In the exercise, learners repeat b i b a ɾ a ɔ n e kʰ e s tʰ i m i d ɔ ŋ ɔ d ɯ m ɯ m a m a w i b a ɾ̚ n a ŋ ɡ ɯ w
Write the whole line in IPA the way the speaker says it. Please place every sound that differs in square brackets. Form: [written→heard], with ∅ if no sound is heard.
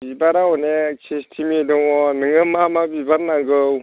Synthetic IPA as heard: b i b a ɾ a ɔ n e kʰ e s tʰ i m i d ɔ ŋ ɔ [d→n] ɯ [m→ŋ] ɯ m a m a [w→b] i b a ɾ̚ n a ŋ ɡ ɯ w